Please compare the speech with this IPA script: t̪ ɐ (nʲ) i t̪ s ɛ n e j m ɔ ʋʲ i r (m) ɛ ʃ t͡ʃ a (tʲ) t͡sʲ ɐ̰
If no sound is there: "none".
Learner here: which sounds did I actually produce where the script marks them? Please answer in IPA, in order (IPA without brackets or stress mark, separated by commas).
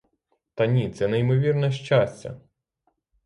nʲ, n, sʲ